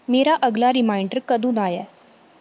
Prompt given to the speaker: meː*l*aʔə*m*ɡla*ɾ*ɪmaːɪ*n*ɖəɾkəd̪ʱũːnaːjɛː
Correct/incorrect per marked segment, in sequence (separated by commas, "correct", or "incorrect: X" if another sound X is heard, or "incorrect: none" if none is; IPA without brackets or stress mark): incorrect: ɾ, incorrect: none, correct, incorrect: ɳ